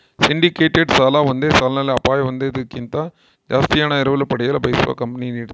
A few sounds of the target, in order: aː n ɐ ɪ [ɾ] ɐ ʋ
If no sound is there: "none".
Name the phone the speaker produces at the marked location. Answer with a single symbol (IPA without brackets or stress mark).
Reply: ɾ